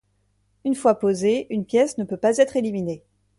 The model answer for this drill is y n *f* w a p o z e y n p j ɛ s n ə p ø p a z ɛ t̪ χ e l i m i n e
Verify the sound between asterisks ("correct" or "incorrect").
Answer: correct